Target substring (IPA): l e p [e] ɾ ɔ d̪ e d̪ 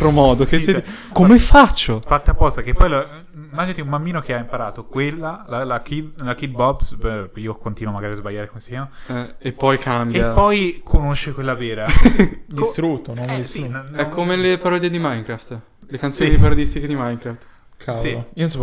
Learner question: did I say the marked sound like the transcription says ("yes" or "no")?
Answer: no